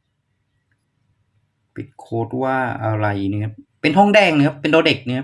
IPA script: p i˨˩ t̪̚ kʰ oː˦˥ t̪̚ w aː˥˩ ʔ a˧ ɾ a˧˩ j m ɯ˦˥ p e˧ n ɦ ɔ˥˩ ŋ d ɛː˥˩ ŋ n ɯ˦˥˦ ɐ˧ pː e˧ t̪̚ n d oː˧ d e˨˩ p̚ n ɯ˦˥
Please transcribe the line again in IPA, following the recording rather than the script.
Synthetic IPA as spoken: p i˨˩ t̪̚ kʰ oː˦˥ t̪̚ w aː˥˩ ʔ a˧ ɾ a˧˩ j n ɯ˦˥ p e˧ n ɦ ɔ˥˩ ŋ d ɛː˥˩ ŋ n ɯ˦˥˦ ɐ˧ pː e˧ n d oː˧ d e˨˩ k̚ n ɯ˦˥

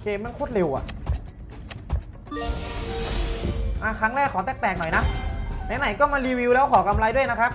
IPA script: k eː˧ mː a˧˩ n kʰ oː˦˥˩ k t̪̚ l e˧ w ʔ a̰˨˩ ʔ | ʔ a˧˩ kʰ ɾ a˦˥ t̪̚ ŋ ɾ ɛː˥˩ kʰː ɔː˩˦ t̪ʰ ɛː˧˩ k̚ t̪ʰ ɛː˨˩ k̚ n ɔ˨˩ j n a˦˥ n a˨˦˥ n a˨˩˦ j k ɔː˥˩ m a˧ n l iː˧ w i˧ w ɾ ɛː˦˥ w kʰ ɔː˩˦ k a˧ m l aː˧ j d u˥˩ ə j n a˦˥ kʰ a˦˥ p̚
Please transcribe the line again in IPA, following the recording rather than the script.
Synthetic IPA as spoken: k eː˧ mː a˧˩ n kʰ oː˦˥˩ t̪̚ l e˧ w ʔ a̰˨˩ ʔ | ʔ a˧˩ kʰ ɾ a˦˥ ŋ ɾ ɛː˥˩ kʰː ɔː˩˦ t̪ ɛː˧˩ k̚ t̪ ɛː˨˩ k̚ n ɔ˨˩ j n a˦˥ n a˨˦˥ n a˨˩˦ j k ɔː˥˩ m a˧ n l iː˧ w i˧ w l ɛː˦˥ w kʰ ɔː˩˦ k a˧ m l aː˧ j d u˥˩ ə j n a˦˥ kʰ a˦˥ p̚

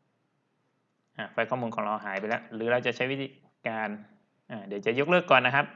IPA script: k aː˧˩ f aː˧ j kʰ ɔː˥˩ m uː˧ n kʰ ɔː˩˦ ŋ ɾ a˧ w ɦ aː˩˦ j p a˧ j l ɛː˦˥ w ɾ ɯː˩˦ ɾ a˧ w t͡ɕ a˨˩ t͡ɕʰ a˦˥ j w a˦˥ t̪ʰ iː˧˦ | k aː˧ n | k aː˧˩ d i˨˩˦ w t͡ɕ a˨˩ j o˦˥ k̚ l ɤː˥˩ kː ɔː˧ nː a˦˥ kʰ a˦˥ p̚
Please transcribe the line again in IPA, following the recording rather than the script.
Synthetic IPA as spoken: ʔ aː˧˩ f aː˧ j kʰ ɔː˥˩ m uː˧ n kʰ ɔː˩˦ ŋ ɾ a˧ w ɦ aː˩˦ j p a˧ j l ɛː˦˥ w ɾ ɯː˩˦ ɾ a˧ w t͡ɕ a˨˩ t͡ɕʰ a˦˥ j w i˦˥ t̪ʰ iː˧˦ | k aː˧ n | ʔ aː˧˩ d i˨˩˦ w t͡ɕ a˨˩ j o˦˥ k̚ l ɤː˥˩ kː ɔː˨˩ nː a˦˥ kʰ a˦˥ p̚

